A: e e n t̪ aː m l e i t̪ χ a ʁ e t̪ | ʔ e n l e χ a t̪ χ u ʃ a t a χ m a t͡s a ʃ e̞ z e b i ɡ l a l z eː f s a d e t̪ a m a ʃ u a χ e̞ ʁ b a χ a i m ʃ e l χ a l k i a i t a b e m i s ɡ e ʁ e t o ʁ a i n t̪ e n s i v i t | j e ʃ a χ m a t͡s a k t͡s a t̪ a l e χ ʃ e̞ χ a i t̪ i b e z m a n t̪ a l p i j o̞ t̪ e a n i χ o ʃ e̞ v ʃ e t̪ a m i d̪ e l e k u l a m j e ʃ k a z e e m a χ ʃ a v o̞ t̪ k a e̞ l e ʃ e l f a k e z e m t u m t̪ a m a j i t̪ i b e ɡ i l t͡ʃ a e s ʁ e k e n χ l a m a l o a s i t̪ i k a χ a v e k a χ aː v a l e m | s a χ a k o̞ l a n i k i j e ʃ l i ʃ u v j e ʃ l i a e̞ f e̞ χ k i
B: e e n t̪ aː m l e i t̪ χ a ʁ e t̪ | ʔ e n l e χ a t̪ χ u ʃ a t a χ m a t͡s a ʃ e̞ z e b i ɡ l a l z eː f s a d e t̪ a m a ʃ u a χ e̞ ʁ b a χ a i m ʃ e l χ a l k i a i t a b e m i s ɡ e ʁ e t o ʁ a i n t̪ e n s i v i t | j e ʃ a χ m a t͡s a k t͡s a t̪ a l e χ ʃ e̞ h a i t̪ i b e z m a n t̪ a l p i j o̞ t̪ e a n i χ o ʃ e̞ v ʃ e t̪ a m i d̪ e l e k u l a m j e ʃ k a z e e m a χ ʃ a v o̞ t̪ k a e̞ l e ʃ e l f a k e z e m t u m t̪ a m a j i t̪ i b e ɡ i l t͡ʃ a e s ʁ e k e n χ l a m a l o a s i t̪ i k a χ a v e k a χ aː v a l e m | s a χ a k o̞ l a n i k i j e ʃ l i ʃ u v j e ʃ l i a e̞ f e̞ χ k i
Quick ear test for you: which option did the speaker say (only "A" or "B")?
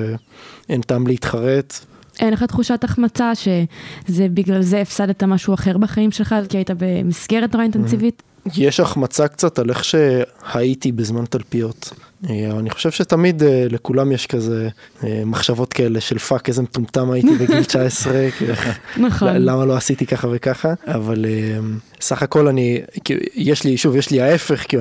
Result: B